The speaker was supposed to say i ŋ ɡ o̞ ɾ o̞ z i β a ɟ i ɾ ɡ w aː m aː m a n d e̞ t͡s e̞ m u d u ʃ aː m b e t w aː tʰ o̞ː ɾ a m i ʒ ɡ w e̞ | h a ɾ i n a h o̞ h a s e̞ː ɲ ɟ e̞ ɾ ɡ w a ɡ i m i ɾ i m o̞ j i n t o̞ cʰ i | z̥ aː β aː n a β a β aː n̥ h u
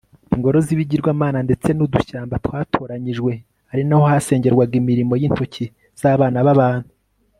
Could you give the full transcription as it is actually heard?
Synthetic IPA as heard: i ŋ ɡ o̞ ɾ o̞ z i β i ɟ i ɾ ɡ w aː m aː n a n d e̞ t͡s e̞ n u d u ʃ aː m b a t w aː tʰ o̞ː ɾ a ɲ i ʒ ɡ w e̞ | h a ɾ i n a h o̞ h a s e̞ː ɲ ɟ e̞ ɾ ɡ w a ɡ i m i ɾ i m o̞ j i n t o̞ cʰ i | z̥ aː β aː n a β a β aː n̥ h u